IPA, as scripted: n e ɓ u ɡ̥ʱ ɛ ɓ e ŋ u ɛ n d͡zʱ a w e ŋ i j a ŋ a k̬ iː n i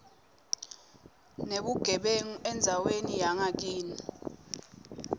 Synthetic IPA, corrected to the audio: n e ɓ u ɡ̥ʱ ɛ ɓ e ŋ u ɛ n d͡zʱ a w e n i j a ŋ a k̬ iː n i